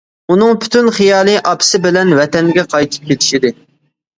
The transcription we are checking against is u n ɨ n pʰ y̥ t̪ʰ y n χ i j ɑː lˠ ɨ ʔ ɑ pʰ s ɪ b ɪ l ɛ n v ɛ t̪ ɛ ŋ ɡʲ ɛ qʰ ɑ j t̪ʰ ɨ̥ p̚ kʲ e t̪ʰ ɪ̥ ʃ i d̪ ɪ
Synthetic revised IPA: u n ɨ ŋ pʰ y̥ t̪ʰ y n χ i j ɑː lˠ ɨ ʔ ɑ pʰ s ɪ b ɪ l ɛ n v ɛ t̪ ɛ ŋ ɡʲ ɛ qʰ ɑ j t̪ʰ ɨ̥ p̚ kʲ e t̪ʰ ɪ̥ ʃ i d̪ ɪ